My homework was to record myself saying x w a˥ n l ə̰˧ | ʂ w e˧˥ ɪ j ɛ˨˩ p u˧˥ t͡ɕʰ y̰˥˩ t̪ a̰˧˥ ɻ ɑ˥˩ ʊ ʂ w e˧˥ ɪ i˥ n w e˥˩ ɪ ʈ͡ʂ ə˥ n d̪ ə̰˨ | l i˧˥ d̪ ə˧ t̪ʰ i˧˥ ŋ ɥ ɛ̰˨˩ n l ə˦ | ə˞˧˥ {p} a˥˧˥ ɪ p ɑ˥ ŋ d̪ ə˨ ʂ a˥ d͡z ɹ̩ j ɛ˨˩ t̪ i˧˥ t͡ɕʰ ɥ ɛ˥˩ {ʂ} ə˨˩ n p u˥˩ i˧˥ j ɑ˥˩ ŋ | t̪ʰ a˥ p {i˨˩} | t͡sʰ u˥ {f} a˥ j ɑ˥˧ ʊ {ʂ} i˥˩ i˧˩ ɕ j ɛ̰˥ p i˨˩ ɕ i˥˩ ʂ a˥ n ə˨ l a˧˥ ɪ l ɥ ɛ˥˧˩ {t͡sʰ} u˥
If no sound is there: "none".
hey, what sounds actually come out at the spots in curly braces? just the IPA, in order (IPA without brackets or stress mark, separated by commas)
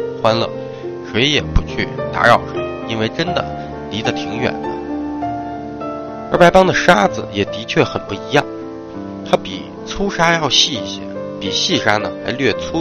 p, x, i˨˩, ʂ, ɕ, t͡sʰ